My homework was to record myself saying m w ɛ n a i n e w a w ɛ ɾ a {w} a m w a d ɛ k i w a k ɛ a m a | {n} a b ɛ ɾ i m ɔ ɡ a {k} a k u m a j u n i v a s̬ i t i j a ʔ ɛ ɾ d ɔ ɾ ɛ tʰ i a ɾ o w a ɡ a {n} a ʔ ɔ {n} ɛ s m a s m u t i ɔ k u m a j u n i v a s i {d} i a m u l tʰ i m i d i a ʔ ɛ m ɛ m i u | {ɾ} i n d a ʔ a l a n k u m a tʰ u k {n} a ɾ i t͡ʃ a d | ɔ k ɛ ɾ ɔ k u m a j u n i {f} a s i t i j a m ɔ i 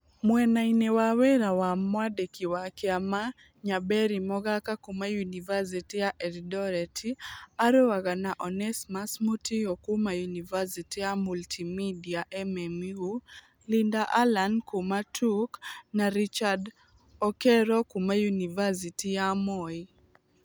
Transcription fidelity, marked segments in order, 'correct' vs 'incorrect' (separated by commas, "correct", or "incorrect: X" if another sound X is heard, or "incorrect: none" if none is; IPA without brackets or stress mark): correct, incorrect: ɲ, correct, correct, correct, incorrect: t, incorrect: l, correct, incorrect: v